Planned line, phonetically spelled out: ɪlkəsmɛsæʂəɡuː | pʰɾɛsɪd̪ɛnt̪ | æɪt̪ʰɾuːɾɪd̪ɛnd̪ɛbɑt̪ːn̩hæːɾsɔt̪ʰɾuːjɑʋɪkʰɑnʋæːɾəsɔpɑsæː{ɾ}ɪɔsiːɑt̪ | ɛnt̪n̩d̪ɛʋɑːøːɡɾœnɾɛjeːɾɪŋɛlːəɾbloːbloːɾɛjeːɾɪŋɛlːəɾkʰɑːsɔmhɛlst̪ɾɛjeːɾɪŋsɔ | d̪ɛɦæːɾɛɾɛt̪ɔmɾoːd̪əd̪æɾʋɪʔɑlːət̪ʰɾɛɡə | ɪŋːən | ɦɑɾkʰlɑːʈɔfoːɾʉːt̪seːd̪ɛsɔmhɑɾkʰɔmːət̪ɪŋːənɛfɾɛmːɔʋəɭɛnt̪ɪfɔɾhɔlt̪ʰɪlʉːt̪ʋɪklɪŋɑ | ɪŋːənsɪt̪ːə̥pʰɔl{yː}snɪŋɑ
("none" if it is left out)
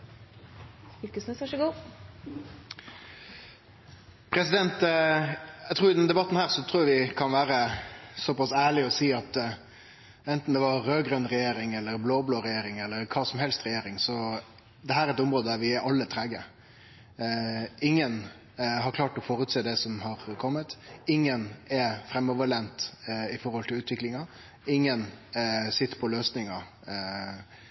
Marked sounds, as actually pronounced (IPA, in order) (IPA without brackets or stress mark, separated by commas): ɭ, øː